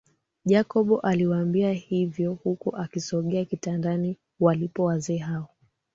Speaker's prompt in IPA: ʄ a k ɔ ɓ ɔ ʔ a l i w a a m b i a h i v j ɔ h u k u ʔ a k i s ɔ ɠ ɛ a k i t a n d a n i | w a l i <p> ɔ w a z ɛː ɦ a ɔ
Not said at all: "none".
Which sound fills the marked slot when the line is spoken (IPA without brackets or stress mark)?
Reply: p